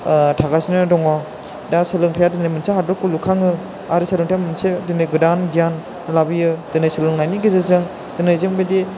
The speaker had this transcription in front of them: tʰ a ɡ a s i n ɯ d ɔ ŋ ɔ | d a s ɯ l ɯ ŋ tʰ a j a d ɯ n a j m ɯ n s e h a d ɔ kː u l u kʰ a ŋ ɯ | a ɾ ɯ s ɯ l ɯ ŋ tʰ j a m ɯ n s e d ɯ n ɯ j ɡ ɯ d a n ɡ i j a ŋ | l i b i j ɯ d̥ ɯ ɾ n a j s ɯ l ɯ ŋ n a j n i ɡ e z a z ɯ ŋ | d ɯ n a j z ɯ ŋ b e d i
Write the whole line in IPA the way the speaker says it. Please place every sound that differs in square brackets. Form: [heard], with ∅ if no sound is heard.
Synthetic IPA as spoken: tʰ a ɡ a s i n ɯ d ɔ ŋ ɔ | d a s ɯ l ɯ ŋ tʰ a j a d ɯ n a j m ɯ n s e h a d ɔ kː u l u kʰ a ŋ ɯ | a ɾ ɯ s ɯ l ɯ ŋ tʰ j a m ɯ n s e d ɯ n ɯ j ɡ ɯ d a n ɡ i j a [n] | l [a] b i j ɯ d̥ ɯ [∅] n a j s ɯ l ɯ ŋ n a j n i ɡ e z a z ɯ ŋ | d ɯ n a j z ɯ ŋ b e d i